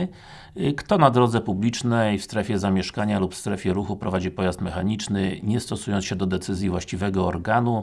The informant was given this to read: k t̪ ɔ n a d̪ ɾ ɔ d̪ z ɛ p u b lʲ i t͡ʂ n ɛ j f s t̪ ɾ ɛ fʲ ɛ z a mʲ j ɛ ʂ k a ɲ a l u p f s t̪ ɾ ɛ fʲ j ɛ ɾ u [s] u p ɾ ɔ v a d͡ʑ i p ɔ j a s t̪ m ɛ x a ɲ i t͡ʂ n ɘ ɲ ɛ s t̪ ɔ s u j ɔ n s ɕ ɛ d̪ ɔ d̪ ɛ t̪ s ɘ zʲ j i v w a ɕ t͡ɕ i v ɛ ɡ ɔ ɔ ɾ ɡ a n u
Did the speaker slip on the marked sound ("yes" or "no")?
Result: yes